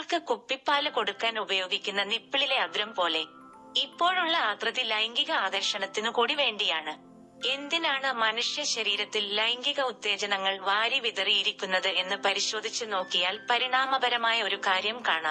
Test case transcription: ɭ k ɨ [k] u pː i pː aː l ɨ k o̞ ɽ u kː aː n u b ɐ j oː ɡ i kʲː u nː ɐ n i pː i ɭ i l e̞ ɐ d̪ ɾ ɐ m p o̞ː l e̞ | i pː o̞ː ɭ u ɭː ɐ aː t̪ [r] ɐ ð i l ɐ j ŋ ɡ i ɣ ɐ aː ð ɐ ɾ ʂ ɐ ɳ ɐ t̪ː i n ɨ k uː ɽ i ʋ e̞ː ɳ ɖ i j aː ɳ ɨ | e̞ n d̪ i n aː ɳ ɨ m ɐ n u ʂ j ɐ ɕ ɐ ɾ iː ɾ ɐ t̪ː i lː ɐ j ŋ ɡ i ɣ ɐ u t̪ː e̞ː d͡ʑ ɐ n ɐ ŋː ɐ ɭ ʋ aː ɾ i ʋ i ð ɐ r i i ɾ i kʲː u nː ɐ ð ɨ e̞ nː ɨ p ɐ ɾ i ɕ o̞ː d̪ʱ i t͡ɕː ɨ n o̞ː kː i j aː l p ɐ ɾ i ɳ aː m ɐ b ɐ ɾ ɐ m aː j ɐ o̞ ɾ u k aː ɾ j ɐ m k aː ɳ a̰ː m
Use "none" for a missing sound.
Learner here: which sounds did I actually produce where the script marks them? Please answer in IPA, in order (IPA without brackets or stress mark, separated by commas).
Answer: k, r